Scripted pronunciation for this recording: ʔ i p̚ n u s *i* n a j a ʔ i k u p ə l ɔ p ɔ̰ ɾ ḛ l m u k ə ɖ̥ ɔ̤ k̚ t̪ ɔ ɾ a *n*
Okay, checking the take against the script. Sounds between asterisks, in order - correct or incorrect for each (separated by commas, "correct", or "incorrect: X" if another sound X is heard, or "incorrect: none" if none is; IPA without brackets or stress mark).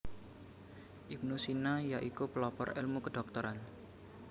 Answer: correct, correct